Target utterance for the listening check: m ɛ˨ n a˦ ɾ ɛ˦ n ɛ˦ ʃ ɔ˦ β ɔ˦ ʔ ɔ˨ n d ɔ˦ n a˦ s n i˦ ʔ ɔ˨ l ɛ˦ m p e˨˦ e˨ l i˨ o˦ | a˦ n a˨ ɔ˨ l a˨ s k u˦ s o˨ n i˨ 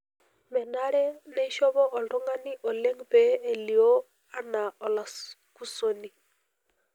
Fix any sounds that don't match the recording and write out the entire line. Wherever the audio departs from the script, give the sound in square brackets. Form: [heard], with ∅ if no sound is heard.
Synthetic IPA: m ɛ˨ n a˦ ɾ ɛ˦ n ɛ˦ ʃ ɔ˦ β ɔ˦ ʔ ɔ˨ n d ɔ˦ [ŋ] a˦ [∅] n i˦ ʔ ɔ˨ l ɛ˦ [ŋ] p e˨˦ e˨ l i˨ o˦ | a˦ n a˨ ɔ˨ l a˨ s k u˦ s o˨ n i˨

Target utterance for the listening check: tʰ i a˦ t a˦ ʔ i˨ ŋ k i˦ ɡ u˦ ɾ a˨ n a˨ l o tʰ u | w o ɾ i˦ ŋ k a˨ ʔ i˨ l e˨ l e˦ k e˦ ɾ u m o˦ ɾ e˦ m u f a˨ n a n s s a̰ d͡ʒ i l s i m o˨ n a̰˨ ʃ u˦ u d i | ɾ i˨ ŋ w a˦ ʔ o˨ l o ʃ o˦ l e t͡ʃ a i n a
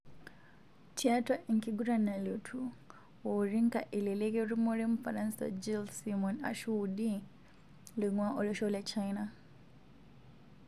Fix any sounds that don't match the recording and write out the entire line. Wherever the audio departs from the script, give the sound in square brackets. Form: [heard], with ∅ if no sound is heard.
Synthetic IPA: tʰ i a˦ t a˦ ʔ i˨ ŋ k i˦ ɡ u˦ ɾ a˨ n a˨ l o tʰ u | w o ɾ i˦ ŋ k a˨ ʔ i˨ l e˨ l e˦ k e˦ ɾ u m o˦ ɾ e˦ m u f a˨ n a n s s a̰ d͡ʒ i l s i m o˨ n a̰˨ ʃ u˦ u d i | [l] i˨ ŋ w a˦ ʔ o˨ l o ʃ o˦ l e t͡ʃ a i n a

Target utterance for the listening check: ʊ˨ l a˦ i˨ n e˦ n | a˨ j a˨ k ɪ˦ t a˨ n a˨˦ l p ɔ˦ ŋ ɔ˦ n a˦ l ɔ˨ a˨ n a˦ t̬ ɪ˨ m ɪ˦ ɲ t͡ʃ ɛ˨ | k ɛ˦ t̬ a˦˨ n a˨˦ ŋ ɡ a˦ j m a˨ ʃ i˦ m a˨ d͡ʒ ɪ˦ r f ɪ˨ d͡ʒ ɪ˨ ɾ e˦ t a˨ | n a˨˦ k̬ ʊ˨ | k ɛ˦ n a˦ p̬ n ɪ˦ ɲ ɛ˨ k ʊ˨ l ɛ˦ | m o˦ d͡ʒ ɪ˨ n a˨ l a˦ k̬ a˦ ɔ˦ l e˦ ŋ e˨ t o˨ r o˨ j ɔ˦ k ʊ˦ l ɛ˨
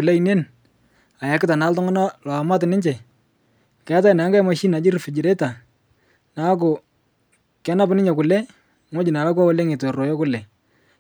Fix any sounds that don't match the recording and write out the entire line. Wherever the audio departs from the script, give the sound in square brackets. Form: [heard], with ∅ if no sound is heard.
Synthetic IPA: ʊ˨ l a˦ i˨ n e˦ n | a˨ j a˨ k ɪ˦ t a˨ n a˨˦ l [t] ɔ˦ ŋ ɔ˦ n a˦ l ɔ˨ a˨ [m] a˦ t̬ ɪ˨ [n] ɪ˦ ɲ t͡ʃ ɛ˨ | k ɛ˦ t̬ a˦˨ n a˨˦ ŋ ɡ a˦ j m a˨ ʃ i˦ [n] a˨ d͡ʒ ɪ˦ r f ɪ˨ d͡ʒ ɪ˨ ɾ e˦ t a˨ | n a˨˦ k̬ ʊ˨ | k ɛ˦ n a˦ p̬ n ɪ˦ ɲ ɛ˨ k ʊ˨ l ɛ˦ | [ŋ] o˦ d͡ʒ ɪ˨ n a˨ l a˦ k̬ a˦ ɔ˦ l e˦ ŋ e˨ t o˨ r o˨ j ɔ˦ k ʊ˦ l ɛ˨

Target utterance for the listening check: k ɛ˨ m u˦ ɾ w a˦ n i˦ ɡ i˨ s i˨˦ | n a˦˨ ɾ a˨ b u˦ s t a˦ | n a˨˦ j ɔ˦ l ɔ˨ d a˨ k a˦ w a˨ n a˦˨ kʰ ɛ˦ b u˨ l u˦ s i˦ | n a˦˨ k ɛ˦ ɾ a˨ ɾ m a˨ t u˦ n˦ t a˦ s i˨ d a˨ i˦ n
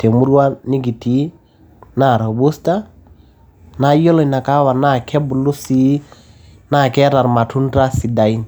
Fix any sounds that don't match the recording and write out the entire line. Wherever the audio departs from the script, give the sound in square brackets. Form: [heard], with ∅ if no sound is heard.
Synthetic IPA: [t] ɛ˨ m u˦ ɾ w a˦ n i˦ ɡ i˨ [t] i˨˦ | n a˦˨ ɾ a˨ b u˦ s t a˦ | n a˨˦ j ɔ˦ l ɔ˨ [n] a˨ k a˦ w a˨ n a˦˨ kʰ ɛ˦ b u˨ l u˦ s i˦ | n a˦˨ k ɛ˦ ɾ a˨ ɾ m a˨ t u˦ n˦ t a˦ s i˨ d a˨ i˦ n

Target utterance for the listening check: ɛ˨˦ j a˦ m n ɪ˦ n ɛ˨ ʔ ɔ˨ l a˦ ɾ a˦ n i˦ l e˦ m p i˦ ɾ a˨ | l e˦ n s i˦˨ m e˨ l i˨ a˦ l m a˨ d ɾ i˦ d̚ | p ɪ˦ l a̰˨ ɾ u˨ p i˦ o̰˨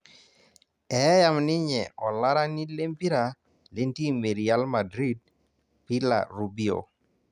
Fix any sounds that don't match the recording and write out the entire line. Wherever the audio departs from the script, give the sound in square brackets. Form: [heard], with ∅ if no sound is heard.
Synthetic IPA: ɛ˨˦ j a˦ m n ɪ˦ [ɲ] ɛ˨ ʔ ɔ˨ l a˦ ɾ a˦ n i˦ l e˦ m p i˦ ɾ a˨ | l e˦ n [t] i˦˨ m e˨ [ɾ] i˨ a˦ l m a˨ d ɾ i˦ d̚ | p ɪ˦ l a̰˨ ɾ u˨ [b] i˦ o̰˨

